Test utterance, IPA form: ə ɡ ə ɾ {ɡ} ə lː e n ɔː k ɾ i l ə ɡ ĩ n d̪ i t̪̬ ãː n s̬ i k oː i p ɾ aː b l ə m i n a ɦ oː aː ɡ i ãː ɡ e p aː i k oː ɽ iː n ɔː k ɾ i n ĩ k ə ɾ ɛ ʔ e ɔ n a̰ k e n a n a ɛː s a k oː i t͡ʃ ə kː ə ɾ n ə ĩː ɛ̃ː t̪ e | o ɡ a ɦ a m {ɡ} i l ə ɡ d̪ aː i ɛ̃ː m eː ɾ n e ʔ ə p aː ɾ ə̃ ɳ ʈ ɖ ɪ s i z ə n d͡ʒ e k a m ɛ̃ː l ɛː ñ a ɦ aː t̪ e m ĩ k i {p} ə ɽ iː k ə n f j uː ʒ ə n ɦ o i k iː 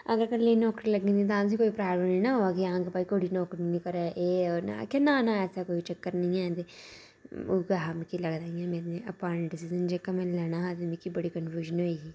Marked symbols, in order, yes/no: no, no, no

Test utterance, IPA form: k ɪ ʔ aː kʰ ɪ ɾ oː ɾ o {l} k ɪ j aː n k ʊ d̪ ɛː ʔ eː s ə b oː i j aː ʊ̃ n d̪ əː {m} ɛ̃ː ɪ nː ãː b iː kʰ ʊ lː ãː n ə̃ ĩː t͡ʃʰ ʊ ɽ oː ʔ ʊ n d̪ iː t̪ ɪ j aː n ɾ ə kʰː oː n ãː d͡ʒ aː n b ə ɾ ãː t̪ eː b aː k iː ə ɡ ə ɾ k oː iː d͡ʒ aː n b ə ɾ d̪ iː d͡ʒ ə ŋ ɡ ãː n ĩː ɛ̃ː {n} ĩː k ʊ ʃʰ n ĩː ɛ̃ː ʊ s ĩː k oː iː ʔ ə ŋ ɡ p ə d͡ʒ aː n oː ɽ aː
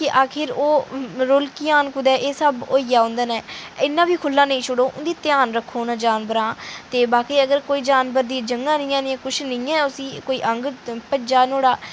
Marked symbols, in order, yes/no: yes, no, yes

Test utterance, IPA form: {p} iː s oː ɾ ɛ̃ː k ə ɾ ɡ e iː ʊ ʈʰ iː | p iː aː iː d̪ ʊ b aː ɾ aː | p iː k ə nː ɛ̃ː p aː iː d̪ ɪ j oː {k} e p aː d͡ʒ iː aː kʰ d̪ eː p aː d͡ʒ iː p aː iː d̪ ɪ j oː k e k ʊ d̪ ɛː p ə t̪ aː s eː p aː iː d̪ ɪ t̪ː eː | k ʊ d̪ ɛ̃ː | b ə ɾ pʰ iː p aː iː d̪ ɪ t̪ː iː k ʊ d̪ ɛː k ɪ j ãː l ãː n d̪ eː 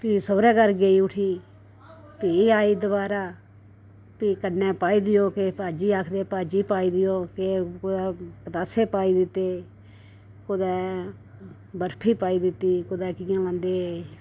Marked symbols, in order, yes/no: yes, yes

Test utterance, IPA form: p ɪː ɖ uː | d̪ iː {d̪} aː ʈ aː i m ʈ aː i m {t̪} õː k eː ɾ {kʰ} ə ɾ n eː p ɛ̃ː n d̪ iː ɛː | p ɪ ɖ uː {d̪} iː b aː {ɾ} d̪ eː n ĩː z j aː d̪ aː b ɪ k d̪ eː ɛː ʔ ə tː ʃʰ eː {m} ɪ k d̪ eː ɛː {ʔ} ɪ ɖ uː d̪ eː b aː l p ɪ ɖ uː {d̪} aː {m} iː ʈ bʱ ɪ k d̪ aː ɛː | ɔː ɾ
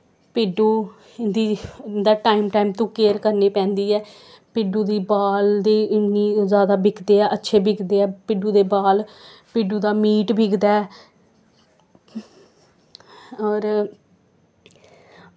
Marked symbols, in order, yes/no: yes, yes, no, yes, no, no, no, yes, yes

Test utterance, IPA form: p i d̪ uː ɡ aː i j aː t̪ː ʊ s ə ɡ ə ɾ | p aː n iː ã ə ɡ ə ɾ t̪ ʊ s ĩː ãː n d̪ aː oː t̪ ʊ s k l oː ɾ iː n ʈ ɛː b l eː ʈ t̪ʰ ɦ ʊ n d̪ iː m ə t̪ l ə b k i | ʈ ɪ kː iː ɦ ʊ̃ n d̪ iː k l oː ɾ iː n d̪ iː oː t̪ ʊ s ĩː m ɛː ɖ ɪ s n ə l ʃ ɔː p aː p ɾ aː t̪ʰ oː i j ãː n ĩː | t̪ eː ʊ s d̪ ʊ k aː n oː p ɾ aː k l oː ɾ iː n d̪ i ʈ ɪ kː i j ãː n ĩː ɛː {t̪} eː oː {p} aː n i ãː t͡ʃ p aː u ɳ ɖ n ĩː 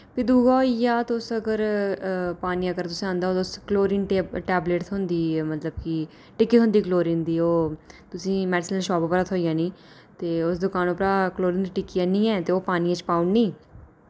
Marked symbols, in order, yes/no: yes, yes

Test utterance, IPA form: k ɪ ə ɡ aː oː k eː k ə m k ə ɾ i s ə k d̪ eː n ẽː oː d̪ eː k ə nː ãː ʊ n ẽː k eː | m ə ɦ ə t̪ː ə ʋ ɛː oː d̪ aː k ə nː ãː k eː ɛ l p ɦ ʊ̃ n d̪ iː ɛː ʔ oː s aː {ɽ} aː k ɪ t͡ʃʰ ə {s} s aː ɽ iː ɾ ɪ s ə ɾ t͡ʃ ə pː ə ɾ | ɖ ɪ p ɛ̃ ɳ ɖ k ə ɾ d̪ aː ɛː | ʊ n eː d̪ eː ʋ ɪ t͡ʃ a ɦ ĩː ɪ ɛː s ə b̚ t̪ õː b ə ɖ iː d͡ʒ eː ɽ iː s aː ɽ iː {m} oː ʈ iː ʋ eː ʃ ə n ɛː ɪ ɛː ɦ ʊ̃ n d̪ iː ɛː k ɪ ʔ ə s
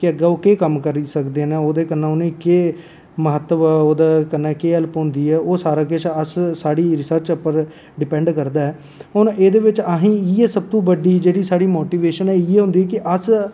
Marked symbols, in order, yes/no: no, yes, yes

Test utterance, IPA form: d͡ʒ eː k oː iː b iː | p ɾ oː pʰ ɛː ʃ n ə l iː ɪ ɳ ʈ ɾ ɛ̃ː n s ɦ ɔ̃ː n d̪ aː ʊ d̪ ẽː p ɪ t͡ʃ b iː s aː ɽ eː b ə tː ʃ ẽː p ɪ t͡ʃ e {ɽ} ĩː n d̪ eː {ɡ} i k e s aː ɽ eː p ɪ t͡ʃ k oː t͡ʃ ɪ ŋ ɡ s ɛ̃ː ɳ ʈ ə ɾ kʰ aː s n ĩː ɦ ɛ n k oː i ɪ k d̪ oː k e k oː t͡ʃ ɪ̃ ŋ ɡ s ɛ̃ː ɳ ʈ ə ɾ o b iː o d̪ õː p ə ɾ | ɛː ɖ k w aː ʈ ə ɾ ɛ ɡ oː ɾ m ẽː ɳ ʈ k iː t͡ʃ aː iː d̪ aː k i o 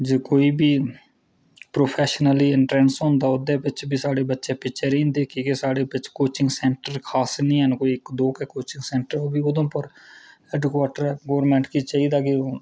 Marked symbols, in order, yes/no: no, no

